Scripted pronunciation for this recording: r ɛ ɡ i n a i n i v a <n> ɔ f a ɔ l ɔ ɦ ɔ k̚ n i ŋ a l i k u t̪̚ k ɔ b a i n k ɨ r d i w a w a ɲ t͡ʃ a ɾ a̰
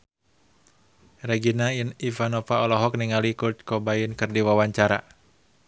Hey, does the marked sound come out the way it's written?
yes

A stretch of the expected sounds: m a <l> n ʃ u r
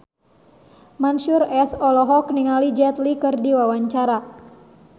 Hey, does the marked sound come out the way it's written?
no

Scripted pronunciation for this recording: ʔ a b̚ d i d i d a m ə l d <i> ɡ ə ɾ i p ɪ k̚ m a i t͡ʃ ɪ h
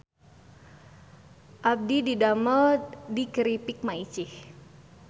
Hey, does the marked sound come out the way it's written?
yes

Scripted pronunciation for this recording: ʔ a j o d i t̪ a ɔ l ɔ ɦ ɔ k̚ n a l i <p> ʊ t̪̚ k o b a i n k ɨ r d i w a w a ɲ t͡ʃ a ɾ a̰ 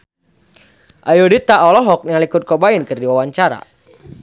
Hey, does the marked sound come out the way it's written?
no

